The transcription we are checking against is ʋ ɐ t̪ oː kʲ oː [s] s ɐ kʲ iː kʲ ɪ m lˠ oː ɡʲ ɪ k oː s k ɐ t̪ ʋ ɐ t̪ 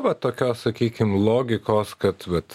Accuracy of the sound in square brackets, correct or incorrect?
correct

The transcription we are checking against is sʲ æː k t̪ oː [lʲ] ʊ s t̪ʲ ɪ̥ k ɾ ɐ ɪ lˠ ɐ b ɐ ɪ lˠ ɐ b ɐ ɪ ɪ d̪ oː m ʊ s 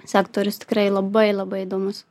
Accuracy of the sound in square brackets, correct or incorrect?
incorrect: ɾʲ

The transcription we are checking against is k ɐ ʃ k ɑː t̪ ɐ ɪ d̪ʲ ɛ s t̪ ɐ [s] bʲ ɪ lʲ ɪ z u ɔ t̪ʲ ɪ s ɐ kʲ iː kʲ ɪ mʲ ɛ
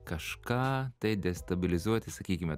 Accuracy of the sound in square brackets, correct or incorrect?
incorrect: none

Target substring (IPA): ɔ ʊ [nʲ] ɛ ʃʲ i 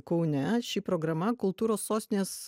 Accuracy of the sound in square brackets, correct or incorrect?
correct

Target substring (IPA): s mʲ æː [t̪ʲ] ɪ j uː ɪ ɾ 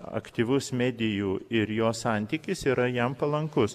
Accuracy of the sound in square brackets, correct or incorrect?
incorrect: d̪ʲ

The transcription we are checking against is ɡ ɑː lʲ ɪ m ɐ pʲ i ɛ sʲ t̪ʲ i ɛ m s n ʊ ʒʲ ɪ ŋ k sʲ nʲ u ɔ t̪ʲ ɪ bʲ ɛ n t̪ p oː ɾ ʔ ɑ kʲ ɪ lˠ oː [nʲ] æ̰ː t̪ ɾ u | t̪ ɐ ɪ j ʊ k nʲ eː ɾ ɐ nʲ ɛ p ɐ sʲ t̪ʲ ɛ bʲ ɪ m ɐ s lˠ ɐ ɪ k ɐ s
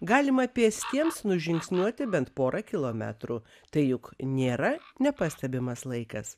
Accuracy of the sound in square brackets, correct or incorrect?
incorrect: mʲ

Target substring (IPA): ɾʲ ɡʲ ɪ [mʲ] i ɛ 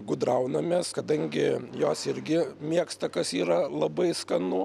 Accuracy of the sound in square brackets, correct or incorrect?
correct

